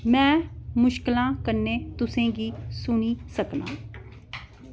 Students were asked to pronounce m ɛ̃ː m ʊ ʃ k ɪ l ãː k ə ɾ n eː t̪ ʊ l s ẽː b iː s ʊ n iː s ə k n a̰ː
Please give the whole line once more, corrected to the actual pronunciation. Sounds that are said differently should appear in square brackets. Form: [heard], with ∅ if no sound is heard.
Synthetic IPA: m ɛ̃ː m ʊ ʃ k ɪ l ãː k ə ɾ n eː t̪ ʊ [∅] s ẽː [ɡ] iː s ʊ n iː s ə k n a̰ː